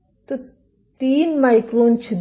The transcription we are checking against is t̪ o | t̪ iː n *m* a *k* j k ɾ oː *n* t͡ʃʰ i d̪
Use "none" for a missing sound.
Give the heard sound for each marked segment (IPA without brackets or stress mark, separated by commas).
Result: m, none, n